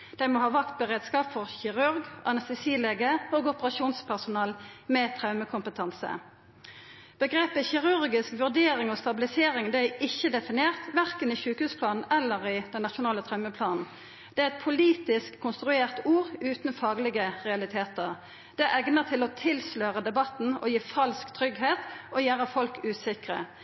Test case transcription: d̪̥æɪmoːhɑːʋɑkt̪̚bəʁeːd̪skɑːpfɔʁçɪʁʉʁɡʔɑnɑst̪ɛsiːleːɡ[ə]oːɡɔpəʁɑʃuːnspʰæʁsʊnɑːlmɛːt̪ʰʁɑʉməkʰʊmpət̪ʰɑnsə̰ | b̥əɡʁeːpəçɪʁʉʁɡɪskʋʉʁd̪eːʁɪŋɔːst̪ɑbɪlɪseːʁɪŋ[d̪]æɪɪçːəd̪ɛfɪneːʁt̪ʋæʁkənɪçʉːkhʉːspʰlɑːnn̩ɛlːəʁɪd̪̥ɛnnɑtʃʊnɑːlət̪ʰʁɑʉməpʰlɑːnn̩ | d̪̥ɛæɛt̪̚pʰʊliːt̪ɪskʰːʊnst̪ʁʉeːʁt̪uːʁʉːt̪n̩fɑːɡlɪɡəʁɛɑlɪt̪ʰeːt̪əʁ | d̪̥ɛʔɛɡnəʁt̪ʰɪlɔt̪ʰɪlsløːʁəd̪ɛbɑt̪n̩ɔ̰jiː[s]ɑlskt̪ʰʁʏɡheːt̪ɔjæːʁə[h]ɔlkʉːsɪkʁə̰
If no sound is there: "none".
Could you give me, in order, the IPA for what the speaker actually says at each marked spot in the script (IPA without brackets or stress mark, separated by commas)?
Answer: ə, d̪, f, f